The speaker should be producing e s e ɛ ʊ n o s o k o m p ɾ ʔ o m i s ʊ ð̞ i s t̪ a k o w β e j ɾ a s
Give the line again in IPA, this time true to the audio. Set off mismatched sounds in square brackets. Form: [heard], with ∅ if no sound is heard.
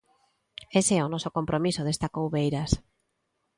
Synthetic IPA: e s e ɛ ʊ n [ɔ] s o k o m p ɾ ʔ o m i s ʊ ð̞ [e] s t̪ a k o w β e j ɾ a s